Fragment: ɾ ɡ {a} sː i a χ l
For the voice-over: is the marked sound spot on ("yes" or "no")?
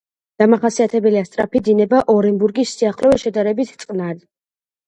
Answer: no